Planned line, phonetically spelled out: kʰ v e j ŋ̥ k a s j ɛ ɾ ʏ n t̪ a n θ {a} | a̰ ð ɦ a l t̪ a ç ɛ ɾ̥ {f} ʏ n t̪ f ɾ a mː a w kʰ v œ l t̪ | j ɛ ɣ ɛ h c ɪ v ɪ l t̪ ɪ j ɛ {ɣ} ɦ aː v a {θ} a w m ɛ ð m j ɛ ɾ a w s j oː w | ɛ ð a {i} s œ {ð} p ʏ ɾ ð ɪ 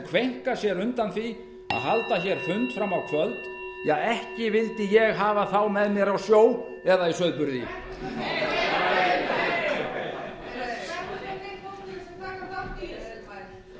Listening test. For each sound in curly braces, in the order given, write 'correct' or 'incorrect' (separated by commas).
incorrect, correct, correct, correct, correct, correct